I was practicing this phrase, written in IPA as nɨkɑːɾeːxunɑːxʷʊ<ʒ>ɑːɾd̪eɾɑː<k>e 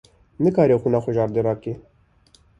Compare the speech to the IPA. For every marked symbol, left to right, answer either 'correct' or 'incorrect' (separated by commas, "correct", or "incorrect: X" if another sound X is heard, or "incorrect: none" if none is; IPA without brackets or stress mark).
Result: correct, correct